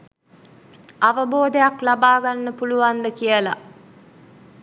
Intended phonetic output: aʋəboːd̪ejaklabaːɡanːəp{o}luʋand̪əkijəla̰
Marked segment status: incorrect: u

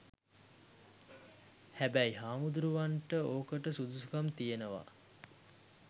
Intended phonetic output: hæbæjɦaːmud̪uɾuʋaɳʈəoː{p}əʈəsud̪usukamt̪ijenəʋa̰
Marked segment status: incorrect: k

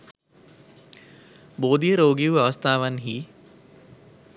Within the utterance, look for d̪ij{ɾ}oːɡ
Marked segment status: correct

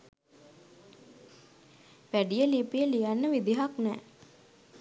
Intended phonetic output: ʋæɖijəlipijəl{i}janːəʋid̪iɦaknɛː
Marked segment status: correct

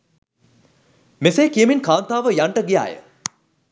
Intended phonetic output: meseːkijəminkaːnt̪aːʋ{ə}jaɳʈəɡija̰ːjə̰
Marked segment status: correct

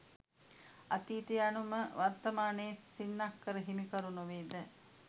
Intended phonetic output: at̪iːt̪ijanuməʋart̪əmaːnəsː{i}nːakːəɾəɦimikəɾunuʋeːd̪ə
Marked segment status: correct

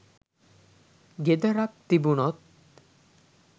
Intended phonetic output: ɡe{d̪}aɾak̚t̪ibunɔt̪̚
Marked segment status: correct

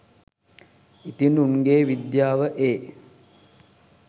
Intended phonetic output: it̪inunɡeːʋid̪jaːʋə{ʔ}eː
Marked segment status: correct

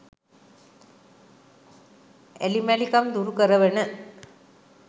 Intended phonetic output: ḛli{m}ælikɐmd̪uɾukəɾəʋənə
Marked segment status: correct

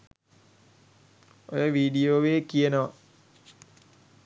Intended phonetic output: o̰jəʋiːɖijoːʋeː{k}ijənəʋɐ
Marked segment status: correct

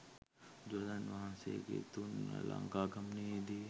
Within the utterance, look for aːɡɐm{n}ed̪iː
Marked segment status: correct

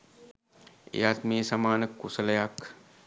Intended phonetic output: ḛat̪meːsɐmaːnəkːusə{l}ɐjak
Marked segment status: correct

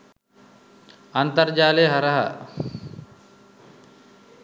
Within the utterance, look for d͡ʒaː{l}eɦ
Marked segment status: correct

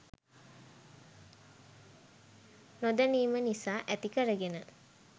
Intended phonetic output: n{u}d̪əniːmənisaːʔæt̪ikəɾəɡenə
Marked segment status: incorrect: o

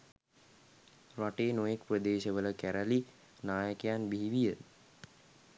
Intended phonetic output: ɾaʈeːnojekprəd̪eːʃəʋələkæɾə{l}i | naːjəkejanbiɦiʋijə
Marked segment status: correct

